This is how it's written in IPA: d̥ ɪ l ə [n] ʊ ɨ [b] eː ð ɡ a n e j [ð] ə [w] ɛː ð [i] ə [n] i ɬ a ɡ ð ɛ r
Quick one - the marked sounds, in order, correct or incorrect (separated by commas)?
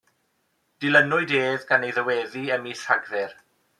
correct, incorrect, correct, correct, correct, incorrect